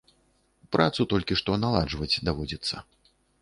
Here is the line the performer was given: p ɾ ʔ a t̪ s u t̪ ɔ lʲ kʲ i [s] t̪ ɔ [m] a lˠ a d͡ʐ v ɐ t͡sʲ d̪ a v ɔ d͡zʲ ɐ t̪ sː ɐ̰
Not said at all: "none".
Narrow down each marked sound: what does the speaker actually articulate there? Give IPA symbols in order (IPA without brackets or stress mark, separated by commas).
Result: ʂ, n